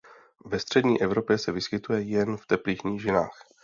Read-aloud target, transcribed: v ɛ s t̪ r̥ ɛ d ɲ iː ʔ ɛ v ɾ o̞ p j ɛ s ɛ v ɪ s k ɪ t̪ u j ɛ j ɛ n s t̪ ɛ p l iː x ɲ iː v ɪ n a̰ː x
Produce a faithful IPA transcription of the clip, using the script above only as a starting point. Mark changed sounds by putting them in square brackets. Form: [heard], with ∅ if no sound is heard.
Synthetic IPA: v ɛ s t̪ r̥ ɛ d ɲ iː ʔ ɛ v ɾ o̞ p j ɛ s ɛ v ɪ s k ɪ t̪ u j ɛ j ɛ n [f] t̪ ɛ p l iː x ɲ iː [ʒ] ɪ n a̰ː x

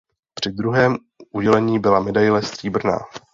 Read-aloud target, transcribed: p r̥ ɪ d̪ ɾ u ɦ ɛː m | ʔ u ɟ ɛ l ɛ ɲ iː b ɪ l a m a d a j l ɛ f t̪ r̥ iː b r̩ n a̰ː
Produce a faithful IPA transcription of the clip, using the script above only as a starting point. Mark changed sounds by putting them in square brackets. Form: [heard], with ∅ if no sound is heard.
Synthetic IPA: p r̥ ɪ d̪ ɾ u ɦ ɛː m | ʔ u ɟ ɛ l ɛ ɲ iː b ɪ l a m [ɛ] d a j l ɛ [s] t̪ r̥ iː b r̩ n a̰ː

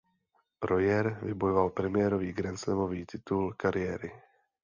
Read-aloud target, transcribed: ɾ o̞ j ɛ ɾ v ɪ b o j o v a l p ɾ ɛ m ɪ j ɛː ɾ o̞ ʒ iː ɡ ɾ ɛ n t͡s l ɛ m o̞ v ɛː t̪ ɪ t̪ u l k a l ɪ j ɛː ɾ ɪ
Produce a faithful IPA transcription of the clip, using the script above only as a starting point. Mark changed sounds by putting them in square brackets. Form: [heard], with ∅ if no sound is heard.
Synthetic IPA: ɾ o̞ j ɛ ɾ v ɪ b o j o v a l p ɾ ɛ m ɪ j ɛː ɾ o̞ [v] iː ɡ ɾ ɛ n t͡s l ɛ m o̞ v [iː] t̪ ɪ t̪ u l k a [ɾ] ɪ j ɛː ɾ ɪ

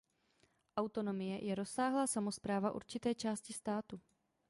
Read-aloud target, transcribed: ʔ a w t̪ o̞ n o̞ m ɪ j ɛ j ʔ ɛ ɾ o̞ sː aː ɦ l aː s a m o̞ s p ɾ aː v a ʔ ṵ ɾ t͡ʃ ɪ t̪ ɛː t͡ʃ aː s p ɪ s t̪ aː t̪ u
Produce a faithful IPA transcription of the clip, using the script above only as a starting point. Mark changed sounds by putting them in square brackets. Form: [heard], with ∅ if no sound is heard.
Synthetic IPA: ʔ a w t̪ o̞ n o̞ m ɪ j ɛ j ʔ ɛ ɾ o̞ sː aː ɦ l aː s a m o̞ s p ɾ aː v a ʔ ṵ ɾ t͡ʃ ɪ t̪ ɛː t͡ʃ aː s [c] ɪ s t̪ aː t̪ u

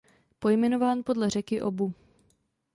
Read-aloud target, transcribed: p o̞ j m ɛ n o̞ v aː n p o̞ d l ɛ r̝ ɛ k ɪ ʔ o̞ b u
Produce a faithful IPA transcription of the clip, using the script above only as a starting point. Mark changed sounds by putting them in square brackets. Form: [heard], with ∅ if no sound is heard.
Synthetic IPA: p o̞ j m ɛ n o̞ v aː n p o̞ d l ɛ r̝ ɛ k ɪ ʔ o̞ b u

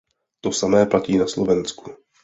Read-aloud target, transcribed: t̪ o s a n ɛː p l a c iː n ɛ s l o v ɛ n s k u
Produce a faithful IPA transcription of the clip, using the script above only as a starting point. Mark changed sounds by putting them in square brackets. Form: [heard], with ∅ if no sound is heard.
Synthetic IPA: t̪ o s a [m] ɛː p l a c iː n [a] s l o v ɛ n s k u

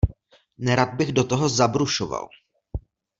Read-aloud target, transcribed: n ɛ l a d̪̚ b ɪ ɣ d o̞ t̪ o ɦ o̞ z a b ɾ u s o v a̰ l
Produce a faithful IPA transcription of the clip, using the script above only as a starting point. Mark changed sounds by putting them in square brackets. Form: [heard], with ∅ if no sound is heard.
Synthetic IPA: n ɛ [ɾ] a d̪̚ b ɪ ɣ d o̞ t̪ o ɦ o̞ z a b ɾ u [ʃ] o v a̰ l

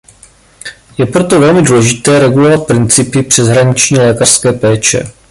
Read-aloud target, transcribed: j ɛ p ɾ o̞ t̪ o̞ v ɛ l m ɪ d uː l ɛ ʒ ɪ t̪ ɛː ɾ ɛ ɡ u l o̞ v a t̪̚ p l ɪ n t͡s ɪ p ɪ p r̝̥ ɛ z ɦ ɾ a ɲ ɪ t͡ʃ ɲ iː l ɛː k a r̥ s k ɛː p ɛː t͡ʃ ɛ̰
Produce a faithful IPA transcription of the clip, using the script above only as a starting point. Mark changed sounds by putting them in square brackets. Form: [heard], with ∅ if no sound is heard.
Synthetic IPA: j ɛ p ɾ o̞ t̪ o̞ v ɛ l m ɪ d uː l ɛ ʒ ɪ t̪ ɛː ɾ ɛ ɡ u l o̞ v a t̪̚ p [ɾ] ɪ n t͡s ɪ p ɪ p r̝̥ ɛ z ɦ ɾ a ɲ ɪ t͡ʃ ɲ iː l ɛː k a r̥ s k ɛː p ɛː t͡ʃ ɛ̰

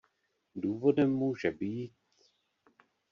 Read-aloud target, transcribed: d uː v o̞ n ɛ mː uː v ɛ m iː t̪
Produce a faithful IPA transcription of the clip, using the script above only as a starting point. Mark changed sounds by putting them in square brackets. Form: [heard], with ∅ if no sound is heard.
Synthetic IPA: d uː v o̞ [d] ɛ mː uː [ʒ] ɛ [b] iː t̪

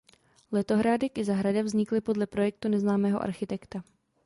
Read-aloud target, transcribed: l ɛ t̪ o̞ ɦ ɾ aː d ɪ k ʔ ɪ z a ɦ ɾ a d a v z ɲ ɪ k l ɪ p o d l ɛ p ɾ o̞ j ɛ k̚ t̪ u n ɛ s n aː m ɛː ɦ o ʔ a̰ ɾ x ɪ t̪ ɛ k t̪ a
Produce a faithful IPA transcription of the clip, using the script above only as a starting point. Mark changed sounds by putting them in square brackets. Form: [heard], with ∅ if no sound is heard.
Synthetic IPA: l ɛ t̪ o̞ ɦ ɾ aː d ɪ k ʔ ɪ z a ɦ ɾ a d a v z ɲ ɪ k l ɪ p o d l ɛ p ɾ o̞ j ɛ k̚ t̪ u n ɛ [z] n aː m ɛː ɦ o ʔ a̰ ɾ x ɪ t̪ ɛ k t̪ a

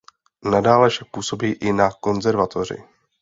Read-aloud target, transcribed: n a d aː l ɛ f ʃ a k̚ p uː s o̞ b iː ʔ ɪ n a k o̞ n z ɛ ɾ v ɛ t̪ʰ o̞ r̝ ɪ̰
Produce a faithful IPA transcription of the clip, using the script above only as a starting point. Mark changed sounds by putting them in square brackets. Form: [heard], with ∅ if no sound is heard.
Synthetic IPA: n a d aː l ɛ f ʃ a k̚ p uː s o̞ b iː ʔ ɪ n a k o̞ n z ɛ ɾ v [a] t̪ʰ o̞ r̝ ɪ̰

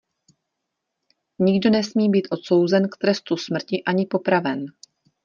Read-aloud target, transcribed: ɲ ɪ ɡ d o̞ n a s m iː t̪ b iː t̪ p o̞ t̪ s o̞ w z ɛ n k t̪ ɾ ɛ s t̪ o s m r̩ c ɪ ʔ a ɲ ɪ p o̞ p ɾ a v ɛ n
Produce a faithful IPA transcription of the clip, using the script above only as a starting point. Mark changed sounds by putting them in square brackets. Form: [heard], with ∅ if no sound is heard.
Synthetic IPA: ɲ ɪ ɡ d o̞ n [ɛ] s m iː [∅] b iː t̪ [ʔ] o̞ t̪ s o̞ w z ɛ n k t̪ ɾ ɛ s t̪ [u] s m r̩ c ɪ ʔ a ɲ ɪ p o̞ p ɾ a v ɛ n

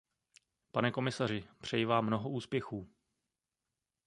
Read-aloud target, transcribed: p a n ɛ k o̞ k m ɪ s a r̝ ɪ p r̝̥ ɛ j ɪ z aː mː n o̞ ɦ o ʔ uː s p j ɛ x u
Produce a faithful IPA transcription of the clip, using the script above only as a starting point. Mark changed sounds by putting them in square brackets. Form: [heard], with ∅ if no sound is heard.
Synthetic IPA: p a n ɛ k o̞ [∅] m ɪ s a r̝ ɪ p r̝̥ ɛ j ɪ [v] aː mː n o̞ ɦ o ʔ uː s p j ɛ x [uː]

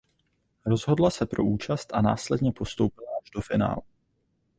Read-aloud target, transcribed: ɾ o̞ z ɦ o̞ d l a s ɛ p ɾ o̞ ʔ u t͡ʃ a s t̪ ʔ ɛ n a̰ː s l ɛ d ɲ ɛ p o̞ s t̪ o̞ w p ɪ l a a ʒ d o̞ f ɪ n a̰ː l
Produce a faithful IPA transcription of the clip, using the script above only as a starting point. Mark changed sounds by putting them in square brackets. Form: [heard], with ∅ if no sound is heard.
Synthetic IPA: ɾ o̞ z ɦ o̞ d l a s ɛ p ɾ o̞ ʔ [uː] t͡ʃ a s t̪ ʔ [a] n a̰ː s l ɛ d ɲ ɛ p o̞ s t̪ o̞ w p ɪ l a a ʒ d o̞ f ɪ n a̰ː l

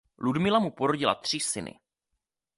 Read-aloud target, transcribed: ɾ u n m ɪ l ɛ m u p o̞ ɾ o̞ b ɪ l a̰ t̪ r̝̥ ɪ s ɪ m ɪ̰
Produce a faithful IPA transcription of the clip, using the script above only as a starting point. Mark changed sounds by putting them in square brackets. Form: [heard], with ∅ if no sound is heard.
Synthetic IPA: [l] u [d] m ɪ l [a] m u p o̞ ɾ o̞ [ɟ] ɪ l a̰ t̪ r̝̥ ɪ s ɪ [n] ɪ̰

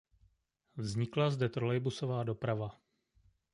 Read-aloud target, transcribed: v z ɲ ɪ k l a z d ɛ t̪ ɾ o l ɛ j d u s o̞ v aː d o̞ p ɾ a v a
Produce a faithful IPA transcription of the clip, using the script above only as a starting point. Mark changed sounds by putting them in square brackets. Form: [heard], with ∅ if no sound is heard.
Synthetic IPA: v z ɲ ɪ k l a z d ɛ t̪ ɾ o l ɛ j [b] u s o̞ v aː d o̞ p ɾ a v a

